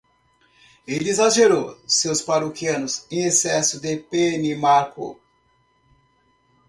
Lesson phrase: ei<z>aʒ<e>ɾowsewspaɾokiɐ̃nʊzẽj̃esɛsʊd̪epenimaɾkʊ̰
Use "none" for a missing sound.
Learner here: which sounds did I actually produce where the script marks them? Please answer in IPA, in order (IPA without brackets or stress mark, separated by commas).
z, e